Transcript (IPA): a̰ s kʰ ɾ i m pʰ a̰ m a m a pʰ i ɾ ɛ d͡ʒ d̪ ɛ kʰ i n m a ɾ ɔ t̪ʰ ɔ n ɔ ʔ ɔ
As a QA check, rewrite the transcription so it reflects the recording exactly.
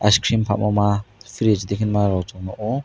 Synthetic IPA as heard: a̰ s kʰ ɾ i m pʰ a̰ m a m a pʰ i ɾ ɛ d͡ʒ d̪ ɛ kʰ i n m a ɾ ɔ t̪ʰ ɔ n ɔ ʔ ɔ

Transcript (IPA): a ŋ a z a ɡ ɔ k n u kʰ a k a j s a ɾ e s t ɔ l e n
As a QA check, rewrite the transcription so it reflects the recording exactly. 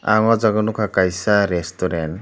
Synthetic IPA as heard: a ŋ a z a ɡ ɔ n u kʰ a k a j s a ɾ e s t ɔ ɾ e n

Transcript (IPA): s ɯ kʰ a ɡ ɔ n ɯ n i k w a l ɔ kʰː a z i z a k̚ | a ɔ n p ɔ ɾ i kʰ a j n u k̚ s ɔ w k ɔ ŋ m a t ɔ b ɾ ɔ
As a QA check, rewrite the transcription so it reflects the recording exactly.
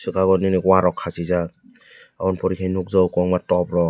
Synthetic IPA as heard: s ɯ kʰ a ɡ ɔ n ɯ n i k w a ɾ ɔ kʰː a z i z a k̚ | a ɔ n p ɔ ɾ i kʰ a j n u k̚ z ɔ w k ɔ ŋ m a t ɔ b ɾ ɔ

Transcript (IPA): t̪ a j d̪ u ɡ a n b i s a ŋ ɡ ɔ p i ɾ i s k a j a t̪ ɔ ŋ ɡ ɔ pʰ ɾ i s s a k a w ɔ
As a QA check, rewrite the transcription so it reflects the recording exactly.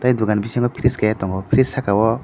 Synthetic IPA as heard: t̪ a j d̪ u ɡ a n b i s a ŋ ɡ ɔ pʰ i ɾ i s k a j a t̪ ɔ ŋ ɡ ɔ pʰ ɾ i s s a k a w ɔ

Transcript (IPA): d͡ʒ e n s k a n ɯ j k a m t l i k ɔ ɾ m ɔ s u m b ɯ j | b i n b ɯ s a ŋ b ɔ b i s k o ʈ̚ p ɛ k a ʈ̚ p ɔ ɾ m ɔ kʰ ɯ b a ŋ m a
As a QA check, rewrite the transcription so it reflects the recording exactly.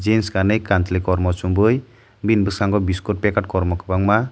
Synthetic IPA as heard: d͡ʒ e n s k a n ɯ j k a n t l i k ɔ ɾ m ɔ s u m b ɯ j | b i n b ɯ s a ŋ ɡ ɔ b i s k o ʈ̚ p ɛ k a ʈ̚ k ɔ ɾ m ɔ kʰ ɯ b a ŋ m a

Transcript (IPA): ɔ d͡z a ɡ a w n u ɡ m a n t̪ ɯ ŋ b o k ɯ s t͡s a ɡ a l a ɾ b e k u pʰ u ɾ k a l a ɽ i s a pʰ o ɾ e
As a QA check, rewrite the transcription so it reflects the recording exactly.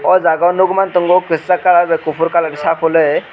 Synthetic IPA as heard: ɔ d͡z a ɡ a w n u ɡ m a n t̪ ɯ ŋ ɡ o k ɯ s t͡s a k a l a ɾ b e k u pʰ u ɾ k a l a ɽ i s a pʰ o l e

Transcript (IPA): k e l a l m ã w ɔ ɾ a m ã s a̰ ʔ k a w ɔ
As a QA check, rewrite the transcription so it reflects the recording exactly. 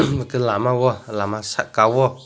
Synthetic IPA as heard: k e l a m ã w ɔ l a m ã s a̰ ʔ k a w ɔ

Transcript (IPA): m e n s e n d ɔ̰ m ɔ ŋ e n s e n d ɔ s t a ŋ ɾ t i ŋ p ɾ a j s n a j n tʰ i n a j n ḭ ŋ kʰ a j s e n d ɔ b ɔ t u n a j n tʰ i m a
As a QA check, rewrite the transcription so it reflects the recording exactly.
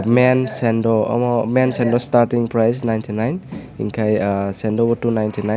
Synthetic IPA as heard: m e n s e n d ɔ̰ m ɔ m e n s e n d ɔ s t a ɾ t i ŋ p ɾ a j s n a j n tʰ i n a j n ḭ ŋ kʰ a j s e n d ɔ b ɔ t u n a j n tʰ i n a

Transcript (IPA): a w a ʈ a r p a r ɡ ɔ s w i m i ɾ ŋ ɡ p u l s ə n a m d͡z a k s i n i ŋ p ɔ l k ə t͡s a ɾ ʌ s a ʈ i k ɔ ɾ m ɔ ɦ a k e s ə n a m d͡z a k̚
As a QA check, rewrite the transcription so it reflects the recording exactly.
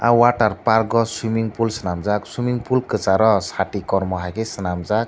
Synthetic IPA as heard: a w a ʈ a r p a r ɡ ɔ s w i m i ŋ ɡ p u l s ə n a m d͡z a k s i m i ŋ p u l k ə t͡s a ɾ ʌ s a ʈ i k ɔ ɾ m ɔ ɦ a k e s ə n a m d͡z a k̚

